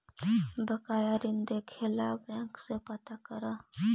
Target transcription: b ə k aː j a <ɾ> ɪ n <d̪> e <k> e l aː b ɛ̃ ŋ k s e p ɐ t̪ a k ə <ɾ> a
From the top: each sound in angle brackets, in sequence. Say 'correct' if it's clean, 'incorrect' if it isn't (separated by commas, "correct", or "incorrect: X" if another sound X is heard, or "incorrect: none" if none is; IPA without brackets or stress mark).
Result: correct, correct, incorrect: kʰ, correct